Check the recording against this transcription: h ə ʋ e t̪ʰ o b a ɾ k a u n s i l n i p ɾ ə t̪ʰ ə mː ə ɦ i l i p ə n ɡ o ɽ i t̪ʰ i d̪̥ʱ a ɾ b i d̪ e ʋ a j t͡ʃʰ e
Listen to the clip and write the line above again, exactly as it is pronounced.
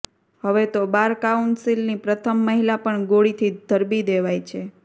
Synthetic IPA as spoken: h ə ʋ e t̪ o b a ɾ k a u n s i l n i p ɾ ə t̪ʰ ə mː ə ɦ i l a p ə ɳ ɡ o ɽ i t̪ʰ i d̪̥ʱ ə ɾ b i d̪ e ʋ a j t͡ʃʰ e